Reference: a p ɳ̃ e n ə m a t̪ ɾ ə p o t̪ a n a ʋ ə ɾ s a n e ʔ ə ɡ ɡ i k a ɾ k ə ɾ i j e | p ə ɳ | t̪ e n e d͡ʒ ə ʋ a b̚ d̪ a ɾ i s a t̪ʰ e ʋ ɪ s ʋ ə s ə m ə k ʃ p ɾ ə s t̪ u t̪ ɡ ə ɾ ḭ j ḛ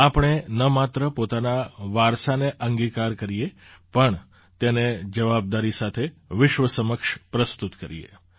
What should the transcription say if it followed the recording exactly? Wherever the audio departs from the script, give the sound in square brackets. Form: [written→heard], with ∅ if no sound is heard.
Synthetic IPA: a p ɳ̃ e n ə m a t̪ ɾ ə p o t̪ a n a ʋ [ə→a] ɾ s a n e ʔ ə [ɡ→ŋ] ɡ i k a ɾ k ə ɾ i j e | p ə ɳ | t̪ e n e d͡ʒ ə ʋ a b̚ d̪ a ɾ i s a t̪ʰ e ʋ ɪ [s→ʃ] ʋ ə s ə m ə k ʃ p ɾ ə s t̪ u t̪ [ɡ→k] ə ɾ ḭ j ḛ

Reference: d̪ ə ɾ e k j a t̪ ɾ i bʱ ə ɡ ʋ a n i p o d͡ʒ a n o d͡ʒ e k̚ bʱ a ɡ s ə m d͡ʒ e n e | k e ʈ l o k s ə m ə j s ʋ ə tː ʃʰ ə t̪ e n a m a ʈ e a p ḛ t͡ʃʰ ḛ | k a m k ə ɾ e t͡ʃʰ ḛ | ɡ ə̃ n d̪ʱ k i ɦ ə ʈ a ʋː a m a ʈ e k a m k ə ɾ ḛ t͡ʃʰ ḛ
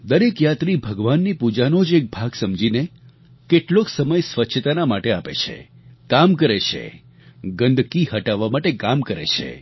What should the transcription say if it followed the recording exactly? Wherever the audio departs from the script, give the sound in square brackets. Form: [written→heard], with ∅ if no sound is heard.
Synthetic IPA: d̪ ə ɾ e k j a t̪ ɾ i bʱ ə ɡ ʋ a [n→nː] i p [o→u] d͡ʒ a n o d͡ʒ e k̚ bʱ a ɡ s ə m d͡ʒ [e→i] n e | k e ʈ l o k s ə m ə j s ʋ ə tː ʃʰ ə t̪ [e→a] n a m a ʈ e a p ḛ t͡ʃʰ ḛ | k a m k ə ɾ e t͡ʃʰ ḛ | ɡ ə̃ n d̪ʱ k i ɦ ə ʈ a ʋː a m a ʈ e k a m k ə ɾ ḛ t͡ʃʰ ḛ

